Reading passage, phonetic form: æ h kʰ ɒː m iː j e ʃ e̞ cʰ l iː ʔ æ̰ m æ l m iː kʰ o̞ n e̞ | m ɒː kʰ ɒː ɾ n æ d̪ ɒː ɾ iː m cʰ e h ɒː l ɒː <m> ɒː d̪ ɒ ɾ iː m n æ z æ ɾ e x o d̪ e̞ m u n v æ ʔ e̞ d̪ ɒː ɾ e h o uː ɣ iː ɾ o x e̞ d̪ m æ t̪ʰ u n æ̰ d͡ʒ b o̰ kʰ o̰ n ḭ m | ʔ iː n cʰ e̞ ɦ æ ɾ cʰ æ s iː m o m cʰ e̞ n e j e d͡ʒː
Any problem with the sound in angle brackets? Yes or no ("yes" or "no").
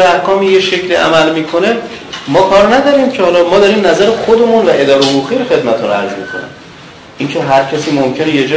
no